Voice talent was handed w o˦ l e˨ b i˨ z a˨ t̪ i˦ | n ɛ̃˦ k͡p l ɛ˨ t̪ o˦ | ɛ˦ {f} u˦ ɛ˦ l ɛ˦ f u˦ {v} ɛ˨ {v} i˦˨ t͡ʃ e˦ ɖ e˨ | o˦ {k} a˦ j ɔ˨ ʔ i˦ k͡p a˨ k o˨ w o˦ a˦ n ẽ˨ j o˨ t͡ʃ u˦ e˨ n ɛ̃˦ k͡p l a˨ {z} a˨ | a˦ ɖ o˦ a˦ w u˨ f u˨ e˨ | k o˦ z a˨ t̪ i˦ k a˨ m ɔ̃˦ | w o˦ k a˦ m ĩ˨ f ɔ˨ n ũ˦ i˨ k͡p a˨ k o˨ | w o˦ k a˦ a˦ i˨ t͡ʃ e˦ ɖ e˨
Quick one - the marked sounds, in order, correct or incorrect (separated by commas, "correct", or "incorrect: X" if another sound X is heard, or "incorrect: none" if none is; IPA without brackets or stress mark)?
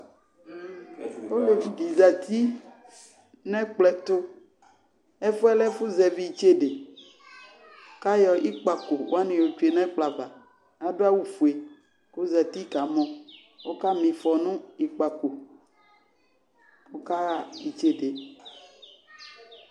correct, incorrect: z, correct, correct, incorrect: v